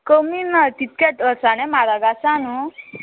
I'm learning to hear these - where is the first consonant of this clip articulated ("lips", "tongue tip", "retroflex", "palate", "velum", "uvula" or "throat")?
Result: velum